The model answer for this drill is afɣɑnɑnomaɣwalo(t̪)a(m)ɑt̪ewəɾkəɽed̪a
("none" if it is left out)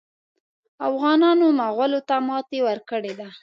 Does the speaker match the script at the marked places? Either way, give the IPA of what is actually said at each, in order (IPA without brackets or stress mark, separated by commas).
t̪, m